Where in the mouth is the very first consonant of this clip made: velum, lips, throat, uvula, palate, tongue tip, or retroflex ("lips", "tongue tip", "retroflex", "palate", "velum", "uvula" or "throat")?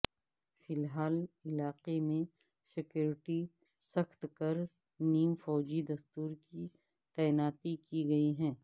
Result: lips